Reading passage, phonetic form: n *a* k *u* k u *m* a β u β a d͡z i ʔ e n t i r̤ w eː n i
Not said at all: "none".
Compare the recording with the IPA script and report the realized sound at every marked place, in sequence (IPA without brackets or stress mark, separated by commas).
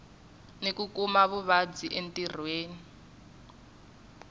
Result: e, u, m